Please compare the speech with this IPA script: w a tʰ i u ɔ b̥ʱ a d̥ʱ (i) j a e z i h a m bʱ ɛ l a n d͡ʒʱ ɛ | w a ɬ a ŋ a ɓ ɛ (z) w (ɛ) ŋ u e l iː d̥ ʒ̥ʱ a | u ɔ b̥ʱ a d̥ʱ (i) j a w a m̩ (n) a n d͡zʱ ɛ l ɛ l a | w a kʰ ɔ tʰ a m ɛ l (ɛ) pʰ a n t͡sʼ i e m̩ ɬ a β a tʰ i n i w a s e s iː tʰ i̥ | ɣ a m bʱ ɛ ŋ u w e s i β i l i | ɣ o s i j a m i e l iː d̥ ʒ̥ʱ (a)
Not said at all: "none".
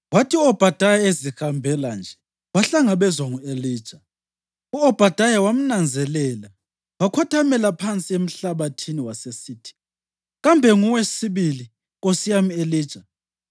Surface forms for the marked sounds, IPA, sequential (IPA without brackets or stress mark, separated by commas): a, z, a, a, n, a, a